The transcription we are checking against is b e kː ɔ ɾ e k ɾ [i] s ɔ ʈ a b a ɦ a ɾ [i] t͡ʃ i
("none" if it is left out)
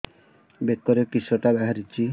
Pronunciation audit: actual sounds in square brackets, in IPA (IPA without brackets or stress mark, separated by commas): i, i